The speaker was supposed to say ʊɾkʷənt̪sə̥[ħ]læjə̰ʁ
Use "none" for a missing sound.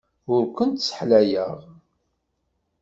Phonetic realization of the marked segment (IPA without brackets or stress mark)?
ħ